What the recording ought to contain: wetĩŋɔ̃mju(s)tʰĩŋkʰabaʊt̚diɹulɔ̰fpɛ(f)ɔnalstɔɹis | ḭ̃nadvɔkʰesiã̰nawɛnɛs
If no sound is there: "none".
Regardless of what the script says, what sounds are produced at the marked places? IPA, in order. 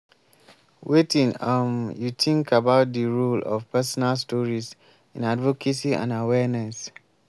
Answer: none, s

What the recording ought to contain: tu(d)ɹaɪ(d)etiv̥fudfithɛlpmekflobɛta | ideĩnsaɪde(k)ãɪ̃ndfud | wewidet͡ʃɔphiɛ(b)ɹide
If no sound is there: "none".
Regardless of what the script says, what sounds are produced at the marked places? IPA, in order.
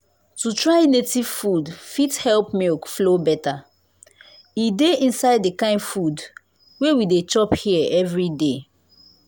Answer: t, n, k, v

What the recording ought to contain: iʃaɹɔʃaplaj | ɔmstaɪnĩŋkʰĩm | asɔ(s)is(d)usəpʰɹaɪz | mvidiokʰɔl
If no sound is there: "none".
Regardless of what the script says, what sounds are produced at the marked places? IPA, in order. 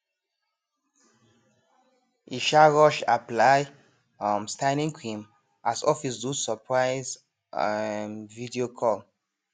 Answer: f, d

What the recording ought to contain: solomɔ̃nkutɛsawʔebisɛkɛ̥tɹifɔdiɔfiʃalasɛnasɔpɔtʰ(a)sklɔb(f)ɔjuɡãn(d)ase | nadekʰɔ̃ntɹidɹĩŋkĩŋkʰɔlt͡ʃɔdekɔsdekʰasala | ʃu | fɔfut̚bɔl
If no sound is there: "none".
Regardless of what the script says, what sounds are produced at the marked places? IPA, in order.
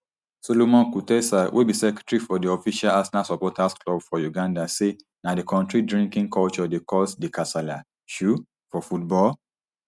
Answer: a, f, d

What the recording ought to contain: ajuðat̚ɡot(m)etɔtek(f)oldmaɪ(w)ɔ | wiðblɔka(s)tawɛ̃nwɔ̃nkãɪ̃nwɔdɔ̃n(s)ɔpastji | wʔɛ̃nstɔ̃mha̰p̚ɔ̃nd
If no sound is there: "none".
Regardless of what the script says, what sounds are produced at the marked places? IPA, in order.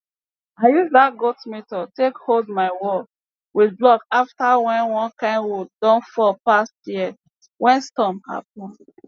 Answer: m, h, w, f, f

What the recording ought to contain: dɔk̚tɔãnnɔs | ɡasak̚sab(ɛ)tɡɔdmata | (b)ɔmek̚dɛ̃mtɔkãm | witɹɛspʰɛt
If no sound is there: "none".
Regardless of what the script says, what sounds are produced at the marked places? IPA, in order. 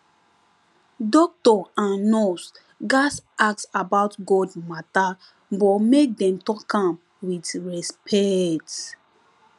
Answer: a, b

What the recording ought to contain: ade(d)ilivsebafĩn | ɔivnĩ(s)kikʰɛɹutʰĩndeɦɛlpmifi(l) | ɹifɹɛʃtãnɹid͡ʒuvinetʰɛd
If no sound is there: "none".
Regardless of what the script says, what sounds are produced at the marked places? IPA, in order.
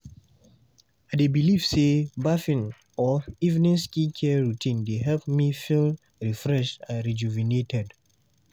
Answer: b, s, l

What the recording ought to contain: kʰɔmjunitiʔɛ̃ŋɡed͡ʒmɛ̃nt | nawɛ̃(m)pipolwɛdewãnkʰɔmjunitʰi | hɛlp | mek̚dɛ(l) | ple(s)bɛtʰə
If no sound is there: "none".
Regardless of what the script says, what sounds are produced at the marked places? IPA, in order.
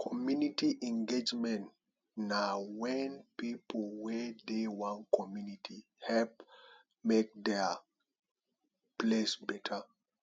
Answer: n, none, s

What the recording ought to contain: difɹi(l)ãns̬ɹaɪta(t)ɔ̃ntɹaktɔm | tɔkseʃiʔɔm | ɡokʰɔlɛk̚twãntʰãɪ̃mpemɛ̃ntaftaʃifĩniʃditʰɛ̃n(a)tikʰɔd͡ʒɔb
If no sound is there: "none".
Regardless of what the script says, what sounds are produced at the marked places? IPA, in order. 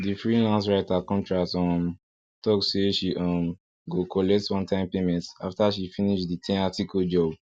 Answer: l, k, a

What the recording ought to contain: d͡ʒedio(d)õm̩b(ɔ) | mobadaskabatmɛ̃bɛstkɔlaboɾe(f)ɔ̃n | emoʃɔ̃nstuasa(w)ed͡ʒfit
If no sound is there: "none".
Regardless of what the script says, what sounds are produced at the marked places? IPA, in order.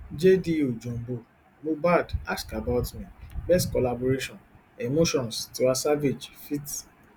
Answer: d͡ʒ, o, ʃ, v

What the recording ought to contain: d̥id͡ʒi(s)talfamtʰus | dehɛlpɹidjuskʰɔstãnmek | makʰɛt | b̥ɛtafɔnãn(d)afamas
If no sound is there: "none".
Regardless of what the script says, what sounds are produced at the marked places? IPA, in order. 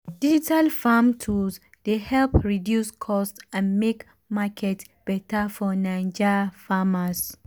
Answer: none, d͡ʒ

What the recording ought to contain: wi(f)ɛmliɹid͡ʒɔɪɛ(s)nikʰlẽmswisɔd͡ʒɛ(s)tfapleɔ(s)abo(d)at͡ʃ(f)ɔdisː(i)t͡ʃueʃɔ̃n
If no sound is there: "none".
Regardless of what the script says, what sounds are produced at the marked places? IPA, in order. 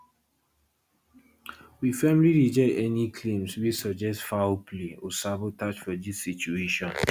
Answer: f, none, s, s, t, f, i

